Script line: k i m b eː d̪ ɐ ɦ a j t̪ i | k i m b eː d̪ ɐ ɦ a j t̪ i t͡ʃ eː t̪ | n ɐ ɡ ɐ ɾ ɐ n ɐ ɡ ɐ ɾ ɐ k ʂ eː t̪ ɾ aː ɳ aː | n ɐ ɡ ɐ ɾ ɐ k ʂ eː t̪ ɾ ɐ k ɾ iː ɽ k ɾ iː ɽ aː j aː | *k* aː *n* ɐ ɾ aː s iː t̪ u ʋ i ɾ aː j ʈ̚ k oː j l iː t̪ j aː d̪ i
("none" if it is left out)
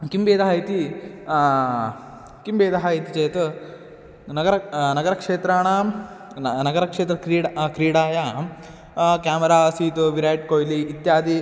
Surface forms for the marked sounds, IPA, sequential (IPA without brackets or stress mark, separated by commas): k, m